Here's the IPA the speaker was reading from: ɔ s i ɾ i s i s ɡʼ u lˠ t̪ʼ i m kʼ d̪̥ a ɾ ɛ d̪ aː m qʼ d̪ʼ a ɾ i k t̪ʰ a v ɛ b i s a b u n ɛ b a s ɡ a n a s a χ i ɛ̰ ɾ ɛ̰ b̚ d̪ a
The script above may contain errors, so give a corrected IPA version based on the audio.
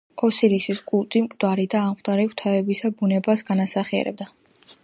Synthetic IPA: ɔ s i ɾ i s i s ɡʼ u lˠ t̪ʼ i m kʼ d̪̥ a ɾ i d̪ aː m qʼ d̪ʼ a ɾ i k t̪ʰ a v ɛ b i s a b u n ɛ b a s ɡ a n a s a χ i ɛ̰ ɾ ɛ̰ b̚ d̪ a